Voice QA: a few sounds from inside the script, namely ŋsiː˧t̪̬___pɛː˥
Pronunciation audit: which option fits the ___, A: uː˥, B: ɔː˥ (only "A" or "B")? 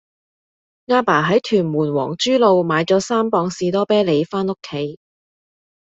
B